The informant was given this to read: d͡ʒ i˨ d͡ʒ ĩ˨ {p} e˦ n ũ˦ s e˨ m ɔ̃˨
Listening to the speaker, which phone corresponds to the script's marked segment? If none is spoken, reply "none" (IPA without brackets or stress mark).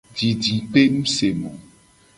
p